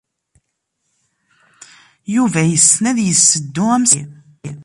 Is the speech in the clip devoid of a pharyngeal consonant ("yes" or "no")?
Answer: yes